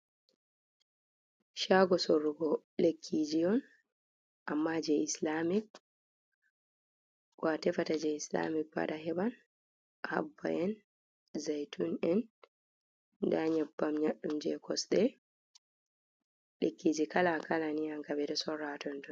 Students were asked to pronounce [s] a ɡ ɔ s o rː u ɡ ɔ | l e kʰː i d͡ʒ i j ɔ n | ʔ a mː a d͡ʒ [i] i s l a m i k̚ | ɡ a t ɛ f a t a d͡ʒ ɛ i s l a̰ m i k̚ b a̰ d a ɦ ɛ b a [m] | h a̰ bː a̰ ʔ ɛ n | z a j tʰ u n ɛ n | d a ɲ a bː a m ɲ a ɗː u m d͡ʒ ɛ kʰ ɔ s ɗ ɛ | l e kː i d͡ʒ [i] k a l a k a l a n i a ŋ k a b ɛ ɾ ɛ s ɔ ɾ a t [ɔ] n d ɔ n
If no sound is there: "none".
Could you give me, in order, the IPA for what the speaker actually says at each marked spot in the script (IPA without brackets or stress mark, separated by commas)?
ʃ, ɛ, n, i, ɔ